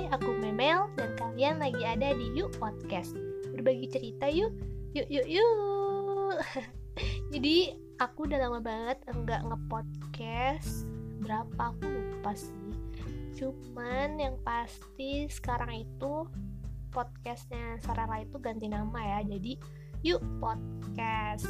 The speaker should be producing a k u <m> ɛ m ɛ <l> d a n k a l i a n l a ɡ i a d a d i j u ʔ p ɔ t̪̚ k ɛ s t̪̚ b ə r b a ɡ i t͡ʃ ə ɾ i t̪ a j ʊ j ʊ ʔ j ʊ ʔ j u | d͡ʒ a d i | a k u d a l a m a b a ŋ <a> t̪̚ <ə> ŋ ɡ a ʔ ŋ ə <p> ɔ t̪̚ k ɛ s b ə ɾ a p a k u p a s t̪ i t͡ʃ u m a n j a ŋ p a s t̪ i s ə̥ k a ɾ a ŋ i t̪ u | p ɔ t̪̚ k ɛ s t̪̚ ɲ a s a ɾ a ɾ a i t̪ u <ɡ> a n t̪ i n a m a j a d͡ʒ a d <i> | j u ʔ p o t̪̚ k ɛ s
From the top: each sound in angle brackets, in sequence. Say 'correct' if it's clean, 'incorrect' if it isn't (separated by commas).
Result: correct, correct, incorrect, correct, correct, correct, correct